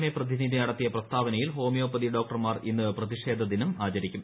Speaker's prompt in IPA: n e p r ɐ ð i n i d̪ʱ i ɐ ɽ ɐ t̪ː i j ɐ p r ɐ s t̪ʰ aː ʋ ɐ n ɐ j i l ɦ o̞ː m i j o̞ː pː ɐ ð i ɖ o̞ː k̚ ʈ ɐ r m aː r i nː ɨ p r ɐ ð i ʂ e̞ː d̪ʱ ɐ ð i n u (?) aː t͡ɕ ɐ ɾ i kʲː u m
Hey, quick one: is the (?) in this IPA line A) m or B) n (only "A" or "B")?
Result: A